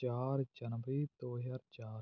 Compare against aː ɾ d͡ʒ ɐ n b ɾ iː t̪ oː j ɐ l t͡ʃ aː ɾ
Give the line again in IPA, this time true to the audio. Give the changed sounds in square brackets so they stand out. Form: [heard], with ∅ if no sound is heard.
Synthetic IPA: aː ɾ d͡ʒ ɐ n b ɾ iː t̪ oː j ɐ [ɾ] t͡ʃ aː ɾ